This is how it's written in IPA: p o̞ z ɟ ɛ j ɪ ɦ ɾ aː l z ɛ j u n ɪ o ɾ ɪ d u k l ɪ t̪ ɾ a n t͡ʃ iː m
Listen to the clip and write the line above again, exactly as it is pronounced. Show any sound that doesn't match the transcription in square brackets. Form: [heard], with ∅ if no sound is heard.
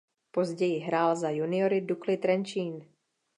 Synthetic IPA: p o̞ z ɟ ɛ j ɪ ɦ ɾ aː l z [a] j u n ɪ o ɾ ɪ d u k l ɪ t̪ ɾ [ɛ] n t͡ʃ iː [n]